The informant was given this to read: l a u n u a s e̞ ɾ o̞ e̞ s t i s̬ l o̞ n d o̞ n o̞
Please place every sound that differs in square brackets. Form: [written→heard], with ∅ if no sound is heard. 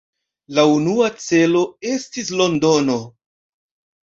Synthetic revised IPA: l a u n u a [s→t͡s] e̞ [ɾ→l] o̞ e̞ s t i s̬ l o̞ n d o̞ n o̞